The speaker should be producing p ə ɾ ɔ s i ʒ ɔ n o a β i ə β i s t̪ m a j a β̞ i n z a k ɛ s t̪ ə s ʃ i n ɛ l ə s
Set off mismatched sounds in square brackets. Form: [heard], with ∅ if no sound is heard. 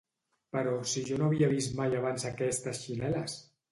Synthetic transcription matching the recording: p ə ɾ ɔ s i ʒ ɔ n o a β i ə β i s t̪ m a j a β̞ [a] n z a k ɛ s t̪ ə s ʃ i n ɛ l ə s